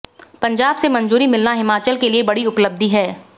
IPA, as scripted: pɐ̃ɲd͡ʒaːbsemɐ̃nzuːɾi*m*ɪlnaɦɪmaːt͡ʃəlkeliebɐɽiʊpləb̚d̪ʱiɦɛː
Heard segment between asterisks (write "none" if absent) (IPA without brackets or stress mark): m